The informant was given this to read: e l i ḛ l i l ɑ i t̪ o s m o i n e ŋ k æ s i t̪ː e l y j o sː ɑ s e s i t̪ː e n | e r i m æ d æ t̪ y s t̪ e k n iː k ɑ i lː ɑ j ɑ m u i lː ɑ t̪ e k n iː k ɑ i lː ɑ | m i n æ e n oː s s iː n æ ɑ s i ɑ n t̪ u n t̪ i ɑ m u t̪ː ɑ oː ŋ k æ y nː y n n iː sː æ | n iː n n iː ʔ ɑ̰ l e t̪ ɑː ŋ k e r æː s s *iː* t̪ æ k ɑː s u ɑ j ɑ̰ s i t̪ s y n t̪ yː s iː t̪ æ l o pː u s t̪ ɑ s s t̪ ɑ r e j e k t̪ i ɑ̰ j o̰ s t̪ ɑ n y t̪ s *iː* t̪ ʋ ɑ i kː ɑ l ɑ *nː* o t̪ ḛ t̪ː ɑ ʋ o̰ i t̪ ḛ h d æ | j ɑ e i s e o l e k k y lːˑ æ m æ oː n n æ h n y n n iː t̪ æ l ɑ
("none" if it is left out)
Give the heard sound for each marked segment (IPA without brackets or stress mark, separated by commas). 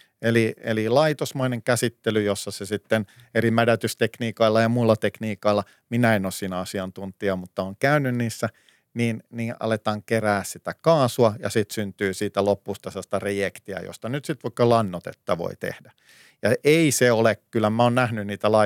i, i, nː